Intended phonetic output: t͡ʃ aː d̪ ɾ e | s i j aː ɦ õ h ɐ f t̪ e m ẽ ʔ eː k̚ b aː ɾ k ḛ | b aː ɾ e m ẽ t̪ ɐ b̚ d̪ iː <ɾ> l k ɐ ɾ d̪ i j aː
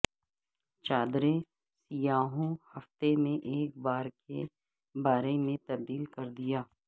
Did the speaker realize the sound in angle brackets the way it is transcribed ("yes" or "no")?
no